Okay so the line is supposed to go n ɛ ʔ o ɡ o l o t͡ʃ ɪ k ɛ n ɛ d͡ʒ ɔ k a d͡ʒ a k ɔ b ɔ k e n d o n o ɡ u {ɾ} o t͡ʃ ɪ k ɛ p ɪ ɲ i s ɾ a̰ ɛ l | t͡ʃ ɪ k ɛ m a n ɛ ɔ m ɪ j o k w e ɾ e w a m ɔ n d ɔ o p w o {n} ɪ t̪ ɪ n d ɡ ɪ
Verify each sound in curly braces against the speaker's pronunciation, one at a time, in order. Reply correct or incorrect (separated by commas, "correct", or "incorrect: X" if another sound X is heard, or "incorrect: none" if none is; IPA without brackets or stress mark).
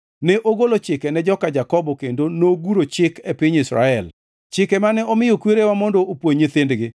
correct, incorrect: ɲ